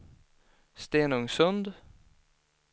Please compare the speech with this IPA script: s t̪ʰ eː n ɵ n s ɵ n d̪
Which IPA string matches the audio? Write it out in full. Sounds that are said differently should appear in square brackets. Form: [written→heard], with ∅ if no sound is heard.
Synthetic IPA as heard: s [t̪ʰ→t̪] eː n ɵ [n→ŋ] s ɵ n d̪